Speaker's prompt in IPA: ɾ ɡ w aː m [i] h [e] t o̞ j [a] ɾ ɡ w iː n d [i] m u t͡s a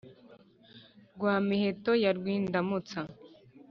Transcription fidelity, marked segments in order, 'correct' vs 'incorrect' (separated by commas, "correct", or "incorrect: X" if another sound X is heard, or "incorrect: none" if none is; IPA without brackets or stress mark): correct, correct, correct, incorrect: a